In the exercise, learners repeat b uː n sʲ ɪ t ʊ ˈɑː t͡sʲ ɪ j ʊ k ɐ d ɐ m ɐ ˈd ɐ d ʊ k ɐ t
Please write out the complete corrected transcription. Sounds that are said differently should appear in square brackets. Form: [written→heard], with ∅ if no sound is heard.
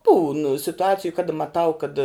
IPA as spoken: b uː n sʲ ɪ t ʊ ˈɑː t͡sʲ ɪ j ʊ k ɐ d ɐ m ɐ [ˈd→ˈt] ɐ [d→∅] ʊ k ɐ t